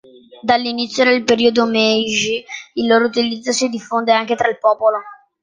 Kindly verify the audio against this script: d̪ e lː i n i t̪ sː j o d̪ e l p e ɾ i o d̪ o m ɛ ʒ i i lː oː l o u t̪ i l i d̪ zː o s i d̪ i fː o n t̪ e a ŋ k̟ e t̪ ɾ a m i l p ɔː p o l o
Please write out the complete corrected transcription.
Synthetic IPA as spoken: d̪ a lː i n i t̪ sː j o d̪ e l p e ɾ i o d̪ o m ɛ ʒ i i lː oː ɾ o u t̪ i l i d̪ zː o s i d̪ i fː o n d̪ e a ŋ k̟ e t̪ ɾ a i l p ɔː p o l o